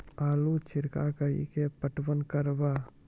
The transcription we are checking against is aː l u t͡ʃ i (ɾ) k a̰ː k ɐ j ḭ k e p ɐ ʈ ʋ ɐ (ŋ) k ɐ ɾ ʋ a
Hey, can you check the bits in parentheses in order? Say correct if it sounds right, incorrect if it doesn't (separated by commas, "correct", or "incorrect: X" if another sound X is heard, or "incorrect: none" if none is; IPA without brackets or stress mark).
correct, incorrect: n